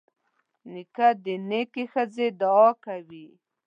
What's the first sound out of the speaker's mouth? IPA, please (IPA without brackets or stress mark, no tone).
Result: n